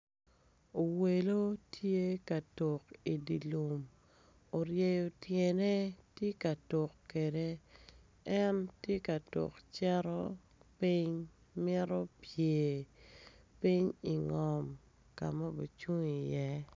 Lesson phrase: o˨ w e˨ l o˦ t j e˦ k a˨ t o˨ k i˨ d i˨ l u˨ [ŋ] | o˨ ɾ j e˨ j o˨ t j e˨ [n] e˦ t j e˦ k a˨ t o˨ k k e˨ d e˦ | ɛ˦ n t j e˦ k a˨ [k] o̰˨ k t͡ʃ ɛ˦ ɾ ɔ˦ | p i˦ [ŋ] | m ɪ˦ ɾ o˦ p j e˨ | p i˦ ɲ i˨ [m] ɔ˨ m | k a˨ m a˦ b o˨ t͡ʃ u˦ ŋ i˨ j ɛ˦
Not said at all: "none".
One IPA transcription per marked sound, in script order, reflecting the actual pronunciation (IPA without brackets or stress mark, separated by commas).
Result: m, n, t, ɲ, ŋ